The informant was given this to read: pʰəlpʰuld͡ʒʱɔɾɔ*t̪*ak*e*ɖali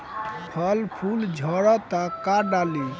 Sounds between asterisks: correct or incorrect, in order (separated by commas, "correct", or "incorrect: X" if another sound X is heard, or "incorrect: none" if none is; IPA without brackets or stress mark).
correct, incorrect: a